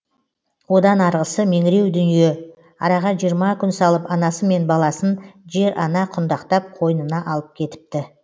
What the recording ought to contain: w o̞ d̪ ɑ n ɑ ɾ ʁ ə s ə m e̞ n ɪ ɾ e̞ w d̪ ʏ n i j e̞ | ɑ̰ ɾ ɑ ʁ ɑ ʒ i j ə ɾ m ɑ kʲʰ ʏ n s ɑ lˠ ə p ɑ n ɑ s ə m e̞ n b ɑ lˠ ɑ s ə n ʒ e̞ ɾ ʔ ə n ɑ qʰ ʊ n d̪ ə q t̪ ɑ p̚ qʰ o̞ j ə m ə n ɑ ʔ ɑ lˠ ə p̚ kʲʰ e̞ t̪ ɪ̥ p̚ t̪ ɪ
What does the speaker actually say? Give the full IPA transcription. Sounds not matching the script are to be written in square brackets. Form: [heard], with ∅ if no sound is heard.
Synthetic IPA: w o̞ d̪ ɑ n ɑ ɾ ʁ ə s ə m e̞ [ŋ] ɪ ɾ e̞ w d̪ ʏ n i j e̞ | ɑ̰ ɾ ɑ ʁ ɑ ʒ i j ə ɾ m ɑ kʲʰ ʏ n s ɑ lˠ ə p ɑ n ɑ s ə m e̞ n b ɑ lˠ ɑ s ə n ʒ e̞ ɾ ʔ [ɑ] n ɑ qʰ ʊ n d̪ [ɑ] q t̪ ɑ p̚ qʰ o̞ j ə [n] ə n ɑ ʔ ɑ lˠ ə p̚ kʲʰ e̞ t̪ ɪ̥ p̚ t̪ ɪ